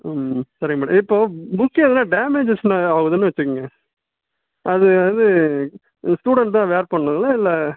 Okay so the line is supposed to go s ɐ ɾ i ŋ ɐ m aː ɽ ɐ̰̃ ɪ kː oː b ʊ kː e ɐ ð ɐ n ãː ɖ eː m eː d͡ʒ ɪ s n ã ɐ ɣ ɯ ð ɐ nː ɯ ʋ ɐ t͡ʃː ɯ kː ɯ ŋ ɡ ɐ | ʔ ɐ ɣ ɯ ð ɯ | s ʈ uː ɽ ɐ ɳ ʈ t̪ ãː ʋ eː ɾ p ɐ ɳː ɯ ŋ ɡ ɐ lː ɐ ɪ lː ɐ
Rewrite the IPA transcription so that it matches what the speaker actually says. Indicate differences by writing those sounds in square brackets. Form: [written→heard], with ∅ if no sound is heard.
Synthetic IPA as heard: s ɐ ɾ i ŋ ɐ m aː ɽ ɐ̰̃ ɪ [kː→pː] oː b ʊ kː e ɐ ð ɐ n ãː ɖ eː m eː d͡ʒ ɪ s n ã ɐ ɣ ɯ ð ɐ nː ɯ ʋ ɐ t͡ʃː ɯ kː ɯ ŋ ɡ ɐ | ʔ ɐ [ɣ→ð] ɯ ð ɯ | s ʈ uː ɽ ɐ ɳ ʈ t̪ ãː ʋ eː ɾ p ɐ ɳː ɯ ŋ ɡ ɐ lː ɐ ɪ lː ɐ